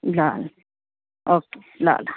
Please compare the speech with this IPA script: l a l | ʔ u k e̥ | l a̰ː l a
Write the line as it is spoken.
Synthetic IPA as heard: l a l | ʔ o k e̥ | l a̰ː l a